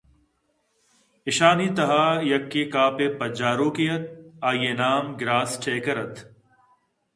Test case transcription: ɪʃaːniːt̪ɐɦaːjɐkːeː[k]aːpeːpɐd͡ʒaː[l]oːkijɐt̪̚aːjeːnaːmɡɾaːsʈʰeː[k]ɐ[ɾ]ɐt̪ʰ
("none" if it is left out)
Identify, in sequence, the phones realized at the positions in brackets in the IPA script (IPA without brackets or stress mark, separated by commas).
k, ɾ, k, ɾ